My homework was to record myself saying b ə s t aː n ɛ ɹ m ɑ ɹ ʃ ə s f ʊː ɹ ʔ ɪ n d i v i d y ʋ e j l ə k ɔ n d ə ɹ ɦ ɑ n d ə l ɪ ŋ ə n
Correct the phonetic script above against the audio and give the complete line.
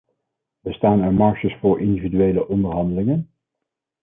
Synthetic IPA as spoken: b ə s t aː n ɛ ɹ m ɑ ɹ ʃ ə s f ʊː ɹ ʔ ɪ n d i v i d y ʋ e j l ə ʔ ɔ n d ə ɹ ɦ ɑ n d ə l ɪ ŋ ə n